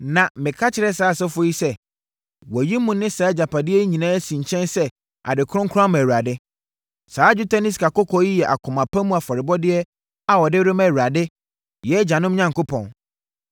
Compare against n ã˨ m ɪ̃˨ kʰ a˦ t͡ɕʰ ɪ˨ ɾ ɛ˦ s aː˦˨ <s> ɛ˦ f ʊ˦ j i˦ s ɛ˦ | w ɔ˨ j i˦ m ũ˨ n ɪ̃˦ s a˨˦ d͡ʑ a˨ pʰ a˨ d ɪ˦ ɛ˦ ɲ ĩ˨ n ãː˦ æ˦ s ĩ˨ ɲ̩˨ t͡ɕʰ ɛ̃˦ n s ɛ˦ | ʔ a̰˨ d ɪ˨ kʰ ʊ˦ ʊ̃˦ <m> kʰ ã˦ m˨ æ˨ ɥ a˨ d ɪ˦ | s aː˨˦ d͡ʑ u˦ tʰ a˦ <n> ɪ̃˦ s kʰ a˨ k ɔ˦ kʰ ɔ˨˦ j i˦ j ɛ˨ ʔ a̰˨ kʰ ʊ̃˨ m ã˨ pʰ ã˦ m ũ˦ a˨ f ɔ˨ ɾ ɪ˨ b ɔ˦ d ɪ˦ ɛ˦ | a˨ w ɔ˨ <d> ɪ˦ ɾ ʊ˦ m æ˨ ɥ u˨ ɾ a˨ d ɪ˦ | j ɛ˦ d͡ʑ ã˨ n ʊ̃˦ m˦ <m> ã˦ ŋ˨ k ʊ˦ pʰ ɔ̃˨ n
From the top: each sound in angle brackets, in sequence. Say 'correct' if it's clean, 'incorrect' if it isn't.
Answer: correct, incorrect: ŋ, correct, correct, incorrect: ɲ

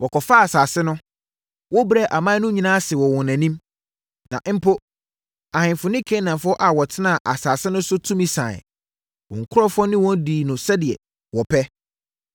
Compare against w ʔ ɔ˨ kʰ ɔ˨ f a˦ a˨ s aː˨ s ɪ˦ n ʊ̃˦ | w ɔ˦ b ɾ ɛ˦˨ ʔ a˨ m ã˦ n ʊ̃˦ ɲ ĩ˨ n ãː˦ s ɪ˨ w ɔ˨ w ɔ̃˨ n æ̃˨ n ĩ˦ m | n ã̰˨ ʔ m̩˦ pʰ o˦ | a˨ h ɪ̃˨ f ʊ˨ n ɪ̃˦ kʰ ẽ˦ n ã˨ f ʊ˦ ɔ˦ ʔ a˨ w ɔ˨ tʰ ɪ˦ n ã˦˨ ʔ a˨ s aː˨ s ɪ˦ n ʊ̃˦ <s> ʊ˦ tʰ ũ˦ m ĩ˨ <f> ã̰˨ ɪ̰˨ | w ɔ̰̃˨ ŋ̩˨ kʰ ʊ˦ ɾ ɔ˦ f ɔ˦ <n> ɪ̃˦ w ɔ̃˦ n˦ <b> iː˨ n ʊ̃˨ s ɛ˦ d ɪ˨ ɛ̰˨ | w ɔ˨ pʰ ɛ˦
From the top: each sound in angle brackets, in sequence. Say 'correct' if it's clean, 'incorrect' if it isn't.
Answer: correct, incorrect: s, correct, incorrect: d

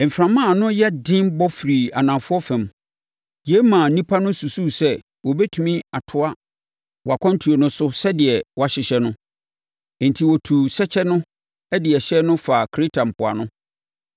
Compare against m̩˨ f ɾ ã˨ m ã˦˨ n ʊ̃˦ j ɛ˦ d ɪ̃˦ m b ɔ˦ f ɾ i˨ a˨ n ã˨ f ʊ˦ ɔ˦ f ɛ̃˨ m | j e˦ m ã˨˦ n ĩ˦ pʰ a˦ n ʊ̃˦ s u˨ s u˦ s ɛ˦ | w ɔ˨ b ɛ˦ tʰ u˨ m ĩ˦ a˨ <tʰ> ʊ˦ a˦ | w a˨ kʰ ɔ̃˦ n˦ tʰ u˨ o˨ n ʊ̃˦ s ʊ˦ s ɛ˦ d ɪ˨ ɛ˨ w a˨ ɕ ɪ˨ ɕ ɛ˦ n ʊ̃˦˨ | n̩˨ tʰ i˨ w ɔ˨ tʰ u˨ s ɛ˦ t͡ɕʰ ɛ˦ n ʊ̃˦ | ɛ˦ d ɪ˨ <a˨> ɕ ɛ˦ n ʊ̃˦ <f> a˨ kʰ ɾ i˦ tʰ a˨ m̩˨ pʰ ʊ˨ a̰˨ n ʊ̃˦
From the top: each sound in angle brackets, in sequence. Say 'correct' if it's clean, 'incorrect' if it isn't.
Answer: correct, incorrect: ɛ˨, correct

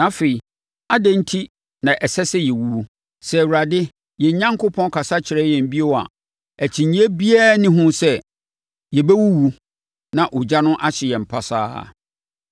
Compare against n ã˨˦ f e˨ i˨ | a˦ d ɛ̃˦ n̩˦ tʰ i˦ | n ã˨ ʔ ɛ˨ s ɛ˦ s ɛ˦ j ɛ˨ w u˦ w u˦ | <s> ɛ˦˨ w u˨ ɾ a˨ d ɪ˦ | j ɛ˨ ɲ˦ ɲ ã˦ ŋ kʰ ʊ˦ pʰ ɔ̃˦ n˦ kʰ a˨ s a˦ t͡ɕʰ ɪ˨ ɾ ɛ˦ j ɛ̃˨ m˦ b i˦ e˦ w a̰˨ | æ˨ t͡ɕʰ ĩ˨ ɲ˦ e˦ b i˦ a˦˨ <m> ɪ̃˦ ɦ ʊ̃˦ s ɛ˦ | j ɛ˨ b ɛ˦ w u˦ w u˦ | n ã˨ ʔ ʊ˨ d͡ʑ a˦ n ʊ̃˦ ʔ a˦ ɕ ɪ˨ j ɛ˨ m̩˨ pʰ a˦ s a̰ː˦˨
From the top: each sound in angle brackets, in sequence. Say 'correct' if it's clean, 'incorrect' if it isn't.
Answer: correct, incorrect: n

